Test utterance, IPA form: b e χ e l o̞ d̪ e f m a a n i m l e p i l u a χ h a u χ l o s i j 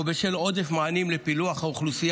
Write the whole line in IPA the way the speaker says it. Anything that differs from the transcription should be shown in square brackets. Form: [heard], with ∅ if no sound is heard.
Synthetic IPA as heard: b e [ʃ] e l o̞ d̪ e f m a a n i m l e p i l u a χ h a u χ l [u] s i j